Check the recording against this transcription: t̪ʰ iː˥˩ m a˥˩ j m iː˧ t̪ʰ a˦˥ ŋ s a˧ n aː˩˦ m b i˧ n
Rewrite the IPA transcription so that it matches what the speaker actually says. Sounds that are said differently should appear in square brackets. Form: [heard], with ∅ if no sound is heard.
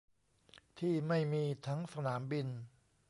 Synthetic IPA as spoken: t̪ʰ iː˥˩ m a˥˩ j m iː˧ t̪ʰ a˦˥ ŋ s a˧ n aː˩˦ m b i˧ n